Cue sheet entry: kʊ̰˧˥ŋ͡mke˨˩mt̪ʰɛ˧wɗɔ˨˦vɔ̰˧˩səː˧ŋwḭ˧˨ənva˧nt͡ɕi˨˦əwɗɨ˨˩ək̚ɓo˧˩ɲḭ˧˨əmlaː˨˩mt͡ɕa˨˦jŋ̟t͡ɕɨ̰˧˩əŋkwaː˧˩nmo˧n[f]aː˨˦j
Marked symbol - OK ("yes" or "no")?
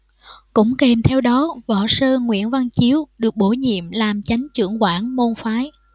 yes